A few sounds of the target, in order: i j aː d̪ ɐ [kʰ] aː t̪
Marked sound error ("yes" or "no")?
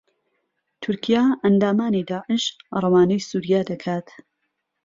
no